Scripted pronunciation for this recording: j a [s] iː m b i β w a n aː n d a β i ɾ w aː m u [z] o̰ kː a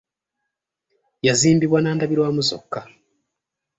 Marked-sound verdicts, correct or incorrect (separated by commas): incorrect, correct